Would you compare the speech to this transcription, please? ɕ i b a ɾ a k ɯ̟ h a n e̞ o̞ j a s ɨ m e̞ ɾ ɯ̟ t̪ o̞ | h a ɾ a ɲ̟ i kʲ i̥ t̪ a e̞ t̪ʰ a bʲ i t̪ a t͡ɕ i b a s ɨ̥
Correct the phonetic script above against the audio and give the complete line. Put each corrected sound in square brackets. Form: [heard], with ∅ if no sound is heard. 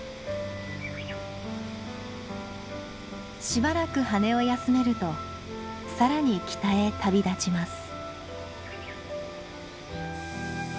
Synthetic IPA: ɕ i b a ɾ a k ɯ̟ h a n e̞ o̞ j a s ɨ m e̞ ɾ ɯ̟ t̪ o̞ | [s] a ɾ a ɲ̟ i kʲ i̥ t̪ a e̞ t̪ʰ a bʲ i [d̪] a t͡ɕ i [m] a s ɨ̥